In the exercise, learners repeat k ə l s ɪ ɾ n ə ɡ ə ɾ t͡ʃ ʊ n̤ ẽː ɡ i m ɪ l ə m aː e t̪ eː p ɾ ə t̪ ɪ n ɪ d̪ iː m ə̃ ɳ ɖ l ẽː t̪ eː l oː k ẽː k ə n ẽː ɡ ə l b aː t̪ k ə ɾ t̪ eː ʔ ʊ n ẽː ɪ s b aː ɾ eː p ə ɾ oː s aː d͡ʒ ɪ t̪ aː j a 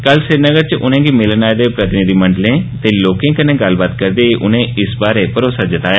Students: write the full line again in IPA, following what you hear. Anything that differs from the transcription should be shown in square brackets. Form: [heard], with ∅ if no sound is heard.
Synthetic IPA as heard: k ə l s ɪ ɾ n ə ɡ ə ɾ t͡ʃ ʊ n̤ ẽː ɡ i m ɪ l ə [n] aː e [d̪] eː p ɾ ə t̪ ɪ n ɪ d̪ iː m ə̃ ɳ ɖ l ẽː t̪ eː l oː k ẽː k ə n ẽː ɡ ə l b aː t̪ k ə ɾ [d̪] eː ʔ ʊ n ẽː ɪ s b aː ɾ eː p ə ɾ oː s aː d͡ʒ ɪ t̪ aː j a